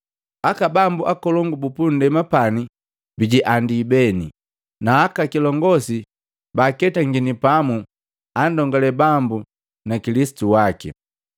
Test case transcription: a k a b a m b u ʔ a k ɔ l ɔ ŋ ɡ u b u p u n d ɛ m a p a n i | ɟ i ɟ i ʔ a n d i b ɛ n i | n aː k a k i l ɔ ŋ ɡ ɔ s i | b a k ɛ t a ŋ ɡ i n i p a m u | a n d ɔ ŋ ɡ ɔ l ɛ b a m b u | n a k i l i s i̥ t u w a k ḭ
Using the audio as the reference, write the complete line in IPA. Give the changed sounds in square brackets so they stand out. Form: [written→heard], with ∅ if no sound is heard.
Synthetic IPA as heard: a k a b a m b u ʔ a k ɔ l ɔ ŋ ɡ u b u p u n d ɛ m a p a n i | [ɟ→b] i ɟ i ʔ a n d i b ɛ n i | n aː k a k i l ɔ ŋ ɡ ɔ s i | b a k ɛ t a ŋ ɡ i n i p a m u | a n d ɔ ŋ ɡ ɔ l ɛ b a m b u | n a k i l i s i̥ t u w a k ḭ